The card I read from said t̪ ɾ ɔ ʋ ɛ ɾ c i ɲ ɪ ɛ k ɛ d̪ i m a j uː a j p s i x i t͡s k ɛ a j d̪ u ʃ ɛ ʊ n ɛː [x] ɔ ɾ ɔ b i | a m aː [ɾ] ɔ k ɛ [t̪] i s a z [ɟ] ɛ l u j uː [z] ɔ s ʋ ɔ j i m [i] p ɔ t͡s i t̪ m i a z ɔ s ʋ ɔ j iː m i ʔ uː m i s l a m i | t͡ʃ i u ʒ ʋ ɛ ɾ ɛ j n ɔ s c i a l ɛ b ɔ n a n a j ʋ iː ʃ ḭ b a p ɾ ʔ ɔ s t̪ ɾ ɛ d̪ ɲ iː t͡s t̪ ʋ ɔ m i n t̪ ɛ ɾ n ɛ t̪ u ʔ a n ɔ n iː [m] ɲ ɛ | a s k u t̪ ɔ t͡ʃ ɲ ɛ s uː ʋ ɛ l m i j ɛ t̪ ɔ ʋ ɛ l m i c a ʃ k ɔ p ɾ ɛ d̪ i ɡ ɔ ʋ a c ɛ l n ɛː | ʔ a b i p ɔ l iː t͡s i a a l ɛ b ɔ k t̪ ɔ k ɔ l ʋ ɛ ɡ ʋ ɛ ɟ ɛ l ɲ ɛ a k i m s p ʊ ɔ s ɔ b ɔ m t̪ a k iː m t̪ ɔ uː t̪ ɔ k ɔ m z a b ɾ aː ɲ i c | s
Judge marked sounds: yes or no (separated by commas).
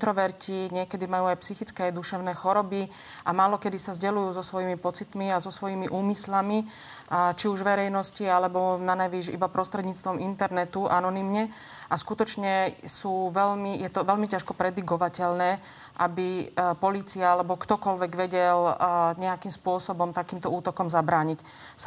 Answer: yes, no, no, yes, yes, yes, yes